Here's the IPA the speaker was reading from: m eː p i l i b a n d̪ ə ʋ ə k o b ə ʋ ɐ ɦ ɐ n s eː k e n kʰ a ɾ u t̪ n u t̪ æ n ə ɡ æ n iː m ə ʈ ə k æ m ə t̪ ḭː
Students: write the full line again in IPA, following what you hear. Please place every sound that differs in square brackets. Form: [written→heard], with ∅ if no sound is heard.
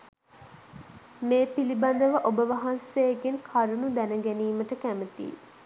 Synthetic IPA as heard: m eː p i l i b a n d̪ ə ʋ ə [k→ʔ] o b ə ʋ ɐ ɦ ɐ n s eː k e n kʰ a ɾ u [t̪→∅] n u [t̪→d̪] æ n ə ɡ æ n iː m ə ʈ ə k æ m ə t̪ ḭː